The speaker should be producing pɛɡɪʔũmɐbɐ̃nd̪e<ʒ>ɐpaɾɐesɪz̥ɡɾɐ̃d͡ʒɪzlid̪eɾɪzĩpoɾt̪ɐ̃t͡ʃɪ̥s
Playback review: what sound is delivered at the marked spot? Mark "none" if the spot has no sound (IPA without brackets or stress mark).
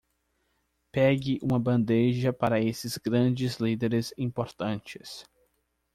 ʒ